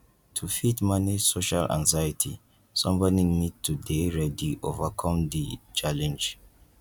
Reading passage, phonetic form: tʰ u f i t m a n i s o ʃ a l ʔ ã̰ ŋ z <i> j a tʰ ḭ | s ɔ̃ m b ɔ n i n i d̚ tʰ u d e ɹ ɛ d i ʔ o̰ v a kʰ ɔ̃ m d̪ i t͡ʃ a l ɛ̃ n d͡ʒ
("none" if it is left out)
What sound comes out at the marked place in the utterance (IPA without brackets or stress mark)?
a